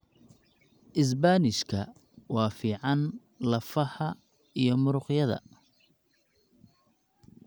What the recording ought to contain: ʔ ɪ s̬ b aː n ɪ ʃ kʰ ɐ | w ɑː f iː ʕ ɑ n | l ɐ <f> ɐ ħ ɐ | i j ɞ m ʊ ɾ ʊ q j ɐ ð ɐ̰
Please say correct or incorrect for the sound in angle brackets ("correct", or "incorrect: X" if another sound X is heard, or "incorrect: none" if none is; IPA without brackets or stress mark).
correct